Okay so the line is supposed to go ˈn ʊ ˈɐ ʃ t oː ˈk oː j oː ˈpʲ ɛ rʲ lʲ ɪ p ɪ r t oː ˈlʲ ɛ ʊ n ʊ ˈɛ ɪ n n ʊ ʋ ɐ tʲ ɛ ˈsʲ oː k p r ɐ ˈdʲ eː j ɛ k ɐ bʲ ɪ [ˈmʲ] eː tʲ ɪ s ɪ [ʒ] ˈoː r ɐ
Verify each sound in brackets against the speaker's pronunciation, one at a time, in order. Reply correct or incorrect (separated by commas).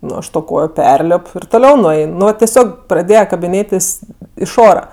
incorrect, incorrect